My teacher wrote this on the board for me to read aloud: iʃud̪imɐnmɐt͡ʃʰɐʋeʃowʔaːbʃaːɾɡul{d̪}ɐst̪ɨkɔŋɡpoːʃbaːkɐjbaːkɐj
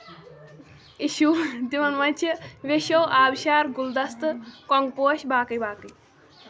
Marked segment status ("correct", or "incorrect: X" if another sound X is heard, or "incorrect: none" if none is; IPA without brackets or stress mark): correct